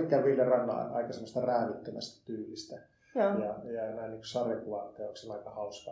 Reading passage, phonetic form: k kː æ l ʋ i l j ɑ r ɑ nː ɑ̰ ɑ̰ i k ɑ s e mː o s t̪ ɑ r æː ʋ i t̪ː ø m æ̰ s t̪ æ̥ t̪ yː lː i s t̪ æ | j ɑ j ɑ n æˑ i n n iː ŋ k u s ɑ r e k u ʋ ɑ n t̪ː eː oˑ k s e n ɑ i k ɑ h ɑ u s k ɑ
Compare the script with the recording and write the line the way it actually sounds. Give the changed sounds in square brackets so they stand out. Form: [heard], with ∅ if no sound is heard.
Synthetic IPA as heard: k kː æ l ʋ i l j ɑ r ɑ nː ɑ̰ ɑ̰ i k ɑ s e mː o s t̪ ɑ r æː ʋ i t̪ː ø m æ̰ s t̪ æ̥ t̪ yː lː i s t̪ æ | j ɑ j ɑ n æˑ i n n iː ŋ k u s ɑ r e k u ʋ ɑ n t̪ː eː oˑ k s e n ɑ i k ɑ h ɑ u s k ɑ